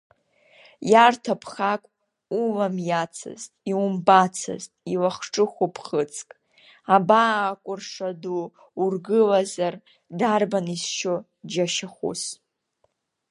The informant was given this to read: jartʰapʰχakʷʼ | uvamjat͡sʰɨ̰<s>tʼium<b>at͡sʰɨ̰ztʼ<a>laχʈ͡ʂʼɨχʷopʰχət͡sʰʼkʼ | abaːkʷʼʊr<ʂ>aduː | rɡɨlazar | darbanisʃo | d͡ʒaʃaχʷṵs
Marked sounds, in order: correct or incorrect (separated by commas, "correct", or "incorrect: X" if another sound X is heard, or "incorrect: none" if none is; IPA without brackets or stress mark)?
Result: incorrect: z, correct, incorrect: i, correct